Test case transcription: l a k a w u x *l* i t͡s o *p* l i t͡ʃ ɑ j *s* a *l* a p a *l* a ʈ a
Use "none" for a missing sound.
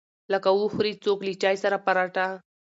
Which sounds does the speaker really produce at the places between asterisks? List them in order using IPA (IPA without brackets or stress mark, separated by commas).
ɾ, k, s, ɾ, ɾ